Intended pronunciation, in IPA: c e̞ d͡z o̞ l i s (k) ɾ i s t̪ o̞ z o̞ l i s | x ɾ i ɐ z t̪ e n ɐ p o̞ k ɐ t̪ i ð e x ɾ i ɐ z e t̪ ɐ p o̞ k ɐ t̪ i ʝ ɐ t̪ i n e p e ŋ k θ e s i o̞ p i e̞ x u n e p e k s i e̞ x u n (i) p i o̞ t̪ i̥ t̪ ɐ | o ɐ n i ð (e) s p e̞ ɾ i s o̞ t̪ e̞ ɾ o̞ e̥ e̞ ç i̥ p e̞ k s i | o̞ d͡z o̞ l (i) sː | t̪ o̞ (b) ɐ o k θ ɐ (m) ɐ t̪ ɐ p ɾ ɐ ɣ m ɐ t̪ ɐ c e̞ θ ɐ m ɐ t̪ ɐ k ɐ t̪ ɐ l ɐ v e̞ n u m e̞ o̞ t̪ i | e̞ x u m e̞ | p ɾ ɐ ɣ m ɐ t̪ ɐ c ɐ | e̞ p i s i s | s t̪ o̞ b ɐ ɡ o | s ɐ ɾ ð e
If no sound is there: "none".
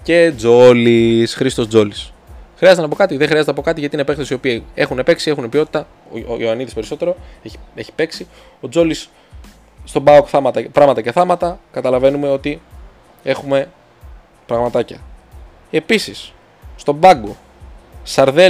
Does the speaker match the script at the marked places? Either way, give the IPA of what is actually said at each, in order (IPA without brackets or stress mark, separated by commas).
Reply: x, e, i, i, b, m